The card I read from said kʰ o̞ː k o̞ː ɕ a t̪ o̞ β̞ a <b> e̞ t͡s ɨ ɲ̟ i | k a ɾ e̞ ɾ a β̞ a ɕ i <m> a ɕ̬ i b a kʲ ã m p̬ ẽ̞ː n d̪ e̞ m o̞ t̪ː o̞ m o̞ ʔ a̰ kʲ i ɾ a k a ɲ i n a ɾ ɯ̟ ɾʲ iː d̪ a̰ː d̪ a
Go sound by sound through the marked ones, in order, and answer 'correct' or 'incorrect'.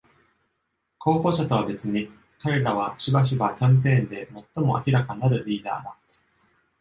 correct, incorrect: b

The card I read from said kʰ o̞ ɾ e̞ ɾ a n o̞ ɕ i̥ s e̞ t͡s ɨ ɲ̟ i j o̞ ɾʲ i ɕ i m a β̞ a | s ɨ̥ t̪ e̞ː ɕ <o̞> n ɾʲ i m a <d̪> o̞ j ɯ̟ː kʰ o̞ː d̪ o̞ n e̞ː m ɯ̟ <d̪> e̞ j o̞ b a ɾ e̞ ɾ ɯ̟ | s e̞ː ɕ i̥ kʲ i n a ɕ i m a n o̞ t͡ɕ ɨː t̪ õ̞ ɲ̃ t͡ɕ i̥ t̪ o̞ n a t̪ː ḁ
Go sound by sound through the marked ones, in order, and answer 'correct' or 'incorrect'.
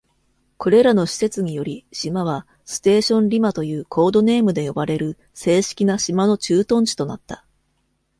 incorrect: õ̞, incorrect: t̪, correct

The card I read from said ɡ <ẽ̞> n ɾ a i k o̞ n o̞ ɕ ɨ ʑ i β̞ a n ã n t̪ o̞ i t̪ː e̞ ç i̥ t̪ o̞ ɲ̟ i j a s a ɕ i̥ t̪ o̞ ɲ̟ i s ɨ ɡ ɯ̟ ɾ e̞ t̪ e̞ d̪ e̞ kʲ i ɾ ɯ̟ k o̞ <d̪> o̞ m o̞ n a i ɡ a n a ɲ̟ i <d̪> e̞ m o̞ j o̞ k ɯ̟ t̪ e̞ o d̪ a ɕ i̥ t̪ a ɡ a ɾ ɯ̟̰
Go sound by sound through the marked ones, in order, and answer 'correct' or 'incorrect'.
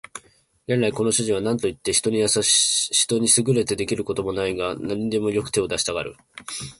incorrect: e̞, incorrect: t̪, correct

